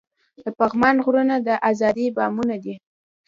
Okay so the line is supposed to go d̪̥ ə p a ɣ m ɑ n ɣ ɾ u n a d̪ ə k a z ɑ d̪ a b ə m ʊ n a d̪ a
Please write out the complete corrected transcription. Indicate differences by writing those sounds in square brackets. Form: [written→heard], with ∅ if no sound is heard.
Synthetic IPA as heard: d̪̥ ə p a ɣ m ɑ n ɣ ɾ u n a d̪ ə [k→ʔ] a z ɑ d̪ [a→i] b [ə→ɑ] m [ʊ→u] n a d̪ [a→i]